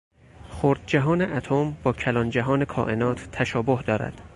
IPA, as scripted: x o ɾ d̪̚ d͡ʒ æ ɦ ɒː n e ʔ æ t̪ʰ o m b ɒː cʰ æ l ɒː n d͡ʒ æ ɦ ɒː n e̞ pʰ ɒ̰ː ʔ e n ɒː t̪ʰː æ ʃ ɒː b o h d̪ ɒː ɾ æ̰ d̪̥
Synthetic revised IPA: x o ɾ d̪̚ d͡ʒ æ ɦ ɒː n e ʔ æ t̪ʰ o m b ɒː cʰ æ l ɒː n d͡ʒ æ ɦ ɒː n e̞ kʰ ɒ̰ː ʔ e n ɒː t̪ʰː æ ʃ ɒː b o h d̪ ɒː ɾ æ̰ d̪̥